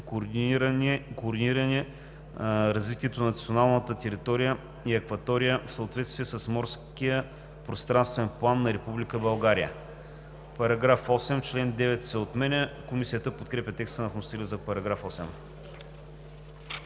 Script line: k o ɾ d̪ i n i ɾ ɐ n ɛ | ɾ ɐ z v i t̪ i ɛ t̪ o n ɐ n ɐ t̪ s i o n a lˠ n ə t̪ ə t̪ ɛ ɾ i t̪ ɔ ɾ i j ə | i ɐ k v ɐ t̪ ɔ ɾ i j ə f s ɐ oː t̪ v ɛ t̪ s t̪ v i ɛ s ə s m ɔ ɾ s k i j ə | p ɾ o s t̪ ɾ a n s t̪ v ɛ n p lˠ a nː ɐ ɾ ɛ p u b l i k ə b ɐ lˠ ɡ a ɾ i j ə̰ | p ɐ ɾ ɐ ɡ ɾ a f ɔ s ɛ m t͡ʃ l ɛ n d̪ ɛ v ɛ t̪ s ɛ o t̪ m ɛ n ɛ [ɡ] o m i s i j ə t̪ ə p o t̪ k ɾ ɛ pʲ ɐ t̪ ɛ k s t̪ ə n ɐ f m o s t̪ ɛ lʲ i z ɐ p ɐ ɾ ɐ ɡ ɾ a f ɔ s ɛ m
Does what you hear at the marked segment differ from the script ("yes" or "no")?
yes